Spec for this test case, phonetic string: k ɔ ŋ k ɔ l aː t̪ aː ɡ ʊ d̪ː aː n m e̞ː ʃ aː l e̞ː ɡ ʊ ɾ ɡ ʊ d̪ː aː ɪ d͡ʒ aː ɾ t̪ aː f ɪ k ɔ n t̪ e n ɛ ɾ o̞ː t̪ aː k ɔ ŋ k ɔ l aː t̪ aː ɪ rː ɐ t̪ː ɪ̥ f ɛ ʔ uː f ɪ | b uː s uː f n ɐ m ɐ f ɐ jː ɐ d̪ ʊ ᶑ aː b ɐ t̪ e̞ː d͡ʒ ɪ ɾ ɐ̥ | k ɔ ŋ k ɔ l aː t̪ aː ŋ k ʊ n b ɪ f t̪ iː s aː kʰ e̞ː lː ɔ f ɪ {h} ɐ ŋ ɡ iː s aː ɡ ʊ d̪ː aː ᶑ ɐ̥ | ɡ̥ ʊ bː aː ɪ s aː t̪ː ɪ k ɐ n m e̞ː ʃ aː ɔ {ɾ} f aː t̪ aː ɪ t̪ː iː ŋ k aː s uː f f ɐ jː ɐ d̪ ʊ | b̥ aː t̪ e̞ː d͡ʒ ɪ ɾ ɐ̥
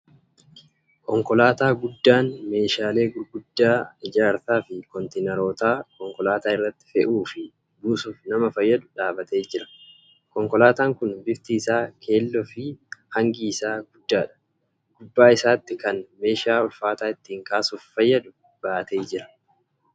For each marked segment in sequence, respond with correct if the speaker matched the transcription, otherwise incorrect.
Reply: correct, incorrect

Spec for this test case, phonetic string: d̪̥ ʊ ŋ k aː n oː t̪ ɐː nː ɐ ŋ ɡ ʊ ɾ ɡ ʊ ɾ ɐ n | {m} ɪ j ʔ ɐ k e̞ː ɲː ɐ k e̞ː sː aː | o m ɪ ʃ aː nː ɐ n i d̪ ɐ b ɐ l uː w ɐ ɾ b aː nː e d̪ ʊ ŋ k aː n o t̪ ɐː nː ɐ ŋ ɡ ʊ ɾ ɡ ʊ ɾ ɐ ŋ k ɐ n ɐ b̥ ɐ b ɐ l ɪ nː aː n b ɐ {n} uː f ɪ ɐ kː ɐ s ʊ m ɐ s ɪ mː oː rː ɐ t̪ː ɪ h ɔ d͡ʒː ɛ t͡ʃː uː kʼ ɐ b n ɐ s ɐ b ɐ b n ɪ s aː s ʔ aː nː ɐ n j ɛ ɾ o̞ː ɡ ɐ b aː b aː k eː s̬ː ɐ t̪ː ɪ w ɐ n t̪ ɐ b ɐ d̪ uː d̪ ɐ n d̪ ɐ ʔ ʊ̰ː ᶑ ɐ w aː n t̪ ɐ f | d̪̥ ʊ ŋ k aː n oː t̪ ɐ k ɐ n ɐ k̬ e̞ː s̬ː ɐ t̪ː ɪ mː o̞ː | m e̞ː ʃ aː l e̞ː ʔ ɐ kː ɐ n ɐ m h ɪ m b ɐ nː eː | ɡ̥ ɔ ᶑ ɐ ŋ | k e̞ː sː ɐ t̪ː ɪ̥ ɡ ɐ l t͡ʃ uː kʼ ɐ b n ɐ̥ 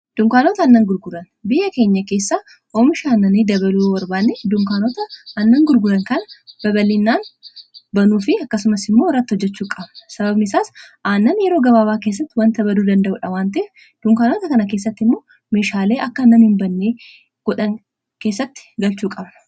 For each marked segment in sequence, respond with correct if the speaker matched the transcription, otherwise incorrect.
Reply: incorrect, correct

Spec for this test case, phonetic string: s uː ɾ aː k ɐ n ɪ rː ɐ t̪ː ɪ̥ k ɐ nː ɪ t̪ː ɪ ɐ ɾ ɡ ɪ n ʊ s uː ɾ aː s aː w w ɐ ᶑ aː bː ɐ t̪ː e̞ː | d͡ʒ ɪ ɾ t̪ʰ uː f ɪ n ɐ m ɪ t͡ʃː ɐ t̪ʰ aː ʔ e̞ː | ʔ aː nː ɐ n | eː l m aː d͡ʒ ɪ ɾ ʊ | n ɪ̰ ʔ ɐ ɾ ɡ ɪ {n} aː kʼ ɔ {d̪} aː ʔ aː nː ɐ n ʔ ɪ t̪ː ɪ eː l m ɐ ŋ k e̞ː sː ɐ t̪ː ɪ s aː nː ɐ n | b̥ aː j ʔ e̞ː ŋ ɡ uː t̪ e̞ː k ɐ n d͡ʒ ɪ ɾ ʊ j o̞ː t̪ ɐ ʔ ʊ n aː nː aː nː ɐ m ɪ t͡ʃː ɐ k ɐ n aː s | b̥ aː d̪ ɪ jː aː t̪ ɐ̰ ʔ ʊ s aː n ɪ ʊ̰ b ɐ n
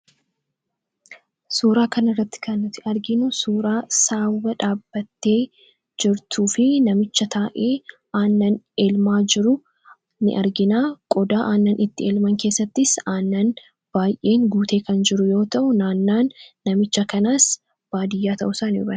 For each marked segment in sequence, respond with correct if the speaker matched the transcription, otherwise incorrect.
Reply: correct, correct

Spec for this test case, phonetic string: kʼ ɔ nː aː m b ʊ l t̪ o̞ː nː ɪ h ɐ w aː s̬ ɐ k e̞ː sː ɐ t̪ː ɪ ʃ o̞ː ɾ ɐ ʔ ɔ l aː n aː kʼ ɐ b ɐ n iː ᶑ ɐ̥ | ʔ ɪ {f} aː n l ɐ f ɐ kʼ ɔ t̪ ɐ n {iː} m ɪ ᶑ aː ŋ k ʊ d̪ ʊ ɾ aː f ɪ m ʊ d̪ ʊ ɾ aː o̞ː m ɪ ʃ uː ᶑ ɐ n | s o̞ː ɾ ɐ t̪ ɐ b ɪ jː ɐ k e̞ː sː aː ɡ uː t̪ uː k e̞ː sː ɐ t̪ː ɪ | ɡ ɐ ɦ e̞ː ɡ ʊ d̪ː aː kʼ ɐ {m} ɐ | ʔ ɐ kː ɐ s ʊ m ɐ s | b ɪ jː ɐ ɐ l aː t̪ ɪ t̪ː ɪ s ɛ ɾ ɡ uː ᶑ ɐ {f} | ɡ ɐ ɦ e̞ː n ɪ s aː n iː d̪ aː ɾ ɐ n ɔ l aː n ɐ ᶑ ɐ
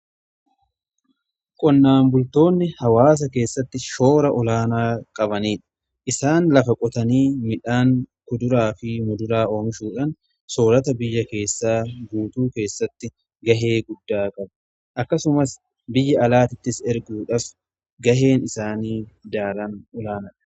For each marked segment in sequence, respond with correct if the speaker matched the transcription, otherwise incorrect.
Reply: incorrect, correct, incorrect, correct

